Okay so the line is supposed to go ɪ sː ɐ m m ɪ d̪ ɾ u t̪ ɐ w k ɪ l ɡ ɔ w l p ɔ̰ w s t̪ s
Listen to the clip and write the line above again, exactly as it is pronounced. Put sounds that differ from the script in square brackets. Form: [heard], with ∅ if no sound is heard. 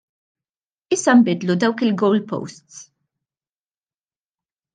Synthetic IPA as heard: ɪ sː ɐ m [b] ɪ d̪ [l] u [d̪] ɐ w k ɪ l ɡ ɔ w l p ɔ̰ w s t̪ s